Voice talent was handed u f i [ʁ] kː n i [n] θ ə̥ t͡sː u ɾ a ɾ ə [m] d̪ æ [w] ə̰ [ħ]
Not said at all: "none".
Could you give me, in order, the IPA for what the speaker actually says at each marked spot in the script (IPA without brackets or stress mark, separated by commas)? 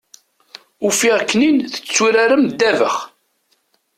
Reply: ʁ, n, m, v, χ